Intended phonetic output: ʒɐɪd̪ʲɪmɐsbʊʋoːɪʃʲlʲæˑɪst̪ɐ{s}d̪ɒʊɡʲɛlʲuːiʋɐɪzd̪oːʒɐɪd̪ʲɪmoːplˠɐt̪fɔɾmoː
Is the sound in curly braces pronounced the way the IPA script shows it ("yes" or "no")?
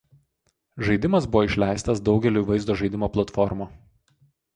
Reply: yes